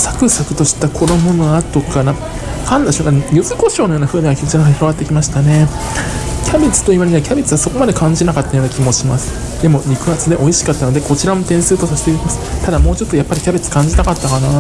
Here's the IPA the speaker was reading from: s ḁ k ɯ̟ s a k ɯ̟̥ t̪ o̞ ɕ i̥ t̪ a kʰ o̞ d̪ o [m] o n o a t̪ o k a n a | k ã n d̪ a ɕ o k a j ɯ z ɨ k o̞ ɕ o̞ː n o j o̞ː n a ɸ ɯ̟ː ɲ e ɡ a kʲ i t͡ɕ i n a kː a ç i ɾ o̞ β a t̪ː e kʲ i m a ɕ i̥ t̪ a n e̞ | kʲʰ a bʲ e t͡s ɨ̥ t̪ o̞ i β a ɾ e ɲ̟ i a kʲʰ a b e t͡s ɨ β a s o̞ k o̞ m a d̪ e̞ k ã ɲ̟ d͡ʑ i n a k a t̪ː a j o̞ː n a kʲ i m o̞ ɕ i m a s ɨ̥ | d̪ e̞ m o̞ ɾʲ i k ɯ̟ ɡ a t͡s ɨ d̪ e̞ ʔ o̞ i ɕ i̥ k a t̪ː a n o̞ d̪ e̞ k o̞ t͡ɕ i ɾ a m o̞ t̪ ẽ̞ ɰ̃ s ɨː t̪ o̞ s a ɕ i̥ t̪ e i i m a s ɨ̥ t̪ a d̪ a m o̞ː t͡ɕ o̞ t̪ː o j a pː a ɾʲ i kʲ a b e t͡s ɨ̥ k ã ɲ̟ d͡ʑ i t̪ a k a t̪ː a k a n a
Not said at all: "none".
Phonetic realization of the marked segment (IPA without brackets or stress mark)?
m